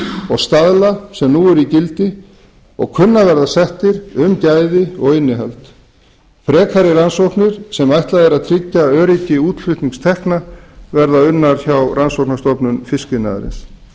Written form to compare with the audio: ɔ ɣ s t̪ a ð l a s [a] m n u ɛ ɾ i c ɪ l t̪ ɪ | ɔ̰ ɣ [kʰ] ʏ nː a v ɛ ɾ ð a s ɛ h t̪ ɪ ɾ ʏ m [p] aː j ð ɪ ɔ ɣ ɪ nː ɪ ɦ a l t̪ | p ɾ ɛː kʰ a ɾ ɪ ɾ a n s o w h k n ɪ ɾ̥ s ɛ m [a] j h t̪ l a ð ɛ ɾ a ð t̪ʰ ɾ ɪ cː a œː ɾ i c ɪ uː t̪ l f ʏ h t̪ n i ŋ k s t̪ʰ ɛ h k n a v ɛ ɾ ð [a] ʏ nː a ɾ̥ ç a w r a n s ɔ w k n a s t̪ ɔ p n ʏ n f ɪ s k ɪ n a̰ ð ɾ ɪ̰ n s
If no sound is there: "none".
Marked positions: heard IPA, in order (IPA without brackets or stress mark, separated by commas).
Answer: ɛ, kʰ, c, a, a